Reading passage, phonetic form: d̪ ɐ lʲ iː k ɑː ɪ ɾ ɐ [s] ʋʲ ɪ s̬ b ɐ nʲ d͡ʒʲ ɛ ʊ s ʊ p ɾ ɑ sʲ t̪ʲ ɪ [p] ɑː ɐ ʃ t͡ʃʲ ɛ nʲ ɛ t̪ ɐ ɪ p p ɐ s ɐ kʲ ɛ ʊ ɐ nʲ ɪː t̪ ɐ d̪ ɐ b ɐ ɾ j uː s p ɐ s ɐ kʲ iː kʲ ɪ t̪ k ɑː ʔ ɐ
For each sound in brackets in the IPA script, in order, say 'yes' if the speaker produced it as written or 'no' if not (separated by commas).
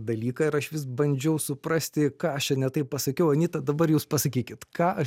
no, no